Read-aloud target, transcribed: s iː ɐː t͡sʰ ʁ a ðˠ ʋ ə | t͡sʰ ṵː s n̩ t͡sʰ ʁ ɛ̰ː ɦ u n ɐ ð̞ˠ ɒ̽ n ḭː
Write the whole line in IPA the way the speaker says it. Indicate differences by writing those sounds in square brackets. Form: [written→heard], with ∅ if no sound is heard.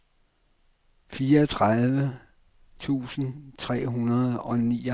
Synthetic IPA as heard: [s→f] iː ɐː t͡sʰ ʁ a ðˠ ʋ ə | t͡sʰ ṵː s n̩ t͡sʰ ʁ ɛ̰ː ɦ u n ɐ ð̞ˠ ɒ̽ n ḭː